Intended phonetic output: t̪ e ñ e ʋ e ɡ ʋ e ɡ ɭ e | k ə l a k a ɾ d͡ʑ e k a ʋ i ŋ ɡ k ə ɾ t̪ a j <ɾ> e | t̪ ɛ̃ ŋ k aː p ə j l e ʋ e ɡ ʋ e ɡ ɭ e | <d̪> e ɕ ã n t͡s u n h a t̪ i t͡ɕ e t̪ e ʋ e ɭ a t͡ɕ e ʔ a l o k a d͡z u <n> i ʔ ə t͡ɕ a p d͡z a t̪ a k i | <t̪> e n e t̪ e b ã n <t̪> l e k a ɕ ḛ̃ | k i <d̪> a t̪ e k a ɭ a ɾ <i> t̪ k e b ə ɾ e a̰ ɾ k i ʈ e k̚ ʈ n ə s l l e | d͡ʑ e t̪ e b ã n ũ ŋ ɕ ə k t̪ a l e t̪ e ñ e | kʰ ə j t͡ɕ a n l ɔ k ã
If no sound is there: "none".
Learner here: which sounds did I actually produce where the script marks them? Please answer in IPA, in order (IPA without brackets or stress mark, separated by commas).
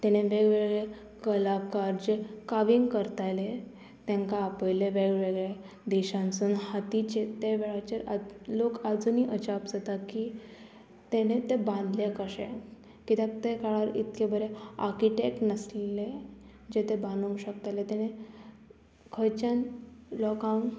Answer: l, d̪, n, t̪, d̪, t̪, i